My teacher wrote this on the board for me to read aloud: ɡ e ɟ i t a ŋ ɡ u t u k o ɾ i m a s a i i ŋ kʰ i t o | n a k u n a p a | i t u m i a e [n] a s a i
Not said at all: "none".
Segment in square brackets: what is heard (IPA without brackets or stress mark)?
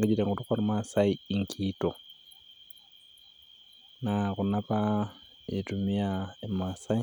m